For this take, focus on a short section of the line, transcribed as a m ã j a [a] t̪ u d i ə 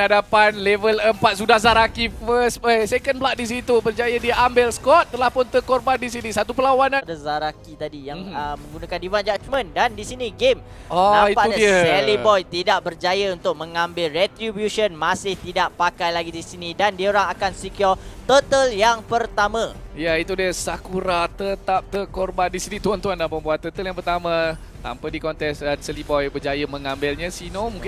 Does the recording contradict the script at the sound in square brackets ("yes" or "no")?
yes